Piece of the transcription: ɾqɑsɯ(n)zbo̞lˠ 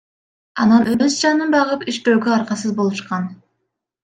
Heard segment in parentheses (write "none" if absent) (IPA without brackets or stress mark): none